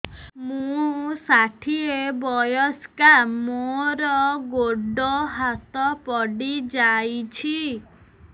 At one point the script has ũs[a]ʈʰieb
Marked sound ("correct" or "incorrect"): correct